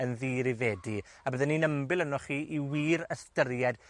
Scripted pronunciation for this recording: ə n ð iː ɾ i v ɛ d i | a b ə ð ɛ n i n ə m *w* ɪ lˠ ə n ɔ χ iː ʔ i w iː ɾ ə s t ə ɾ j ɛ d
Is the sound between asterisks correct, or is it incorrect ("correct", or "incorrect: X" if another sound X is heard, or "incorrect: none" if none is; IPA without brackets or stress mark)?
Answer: incorrect: b